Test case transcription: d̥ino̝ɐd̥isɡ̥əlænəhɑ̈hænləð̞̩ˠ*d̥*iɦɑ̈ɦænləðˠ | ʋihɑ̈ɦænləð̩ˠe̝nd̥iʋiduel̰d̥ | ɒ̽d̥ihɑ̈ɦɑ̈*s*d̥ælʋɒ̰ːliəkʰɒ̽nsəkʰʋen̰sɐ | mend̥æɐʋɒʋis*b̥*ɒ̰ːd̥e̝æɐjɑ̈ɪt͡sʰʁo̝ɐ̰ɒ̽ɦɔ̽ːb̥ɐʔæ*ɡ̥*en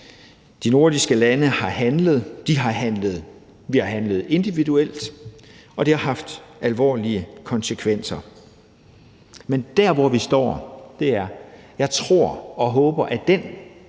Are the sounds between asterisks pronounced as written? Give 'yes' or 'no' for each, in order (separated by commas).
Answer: yes, no, no, no